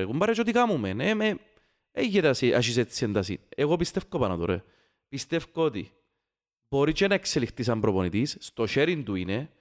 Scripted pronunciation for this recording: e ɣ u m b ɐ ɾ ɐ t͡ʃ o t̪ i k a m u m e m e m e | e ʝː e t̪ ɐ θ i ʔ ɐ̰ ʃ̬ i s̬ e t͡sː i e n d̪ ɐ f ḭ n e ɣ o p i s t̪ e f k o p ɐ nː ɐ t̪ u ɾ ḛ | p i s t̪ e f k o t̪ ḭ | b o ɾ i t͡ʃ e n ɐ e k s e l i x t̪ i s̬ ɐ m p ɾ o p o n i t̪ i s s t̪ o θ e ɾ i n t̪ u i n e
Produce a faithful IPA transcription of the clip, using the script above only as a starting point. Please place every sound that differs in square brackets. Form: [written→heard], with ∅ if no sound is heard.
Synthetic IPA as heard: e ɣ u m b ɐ ɾ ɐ t͡ʃ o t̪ i k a m u m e [m→n] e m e | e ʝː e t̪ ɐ [θ→s] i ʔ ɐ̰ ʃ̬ i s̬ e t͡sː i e n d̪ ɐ [f→s] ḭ n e ɣ o p i s t̪ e f k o p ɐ [nː→n] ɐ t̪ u ɾ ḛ | p i s t̪ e f k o t̪ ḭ | b o ɾ i t͡ʃ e n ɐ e k s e l i x t̪ i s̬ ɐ m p ɾ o p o n i t̪ i s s t̪ o [θ→ʃ] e ɾ i n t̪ u i n e